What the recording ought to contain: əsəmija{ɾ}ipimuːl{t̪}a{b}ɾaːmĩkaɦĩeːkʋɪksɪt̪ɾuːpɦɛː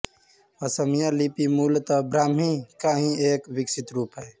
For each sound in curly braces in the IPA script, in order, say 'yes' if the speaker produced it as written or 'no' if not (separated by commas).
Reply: no, yes, yes